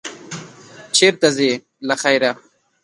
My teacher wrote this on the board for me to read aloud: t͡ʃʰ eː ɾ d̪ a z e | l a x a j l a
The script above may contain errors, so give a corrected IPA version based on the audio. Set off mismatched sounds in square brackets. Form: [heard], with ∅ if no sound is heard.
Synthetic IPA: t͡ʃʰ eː ɾ [t̪] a z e | l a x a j [ɾ] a